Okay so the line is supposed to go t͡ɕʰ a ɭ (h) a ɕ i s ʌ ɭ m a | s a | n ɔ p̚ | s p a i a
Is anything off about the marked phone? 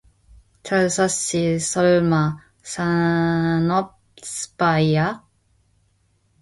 yes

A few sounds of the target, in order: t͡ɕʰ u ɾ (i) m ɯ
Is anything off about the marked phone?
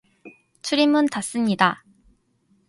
no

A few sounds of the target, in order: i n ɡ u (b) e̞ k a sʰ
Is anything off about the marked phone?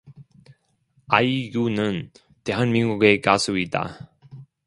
yes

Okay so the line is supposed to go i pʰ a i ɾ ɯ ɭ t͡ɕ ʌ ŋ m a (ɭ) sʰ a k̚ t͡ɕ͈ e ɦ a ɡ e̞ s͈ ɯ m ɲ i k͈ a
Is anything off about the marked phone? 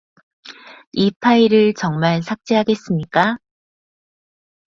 no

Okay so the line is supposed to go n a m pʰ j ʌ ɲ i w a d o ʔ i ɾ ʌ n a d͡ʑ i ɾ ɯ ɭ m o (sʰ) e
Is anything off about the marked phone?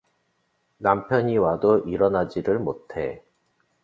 yes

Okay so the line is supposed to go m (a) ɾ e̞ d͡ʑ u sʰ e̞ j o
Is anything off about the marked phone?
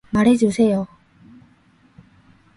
no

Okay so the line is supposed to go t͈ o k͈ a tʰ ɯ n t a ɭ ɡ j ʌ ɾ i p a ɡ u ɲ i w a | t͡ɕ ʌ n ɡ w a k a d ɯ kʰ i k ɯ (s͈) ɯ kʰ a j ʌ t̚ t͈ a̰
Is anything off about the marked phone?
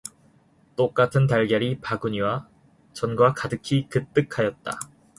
yes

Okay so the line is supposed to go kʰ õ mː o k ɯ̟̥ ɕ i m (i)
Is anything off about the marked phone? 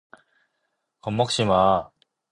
yes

